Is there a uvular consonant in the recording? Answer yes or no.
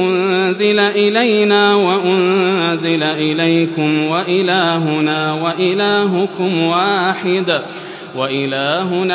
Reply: no